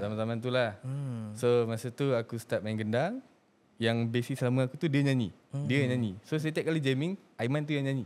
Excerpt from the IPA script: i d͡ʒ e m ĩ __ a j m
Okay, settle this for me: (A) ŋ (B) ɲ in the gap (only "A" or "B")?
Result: A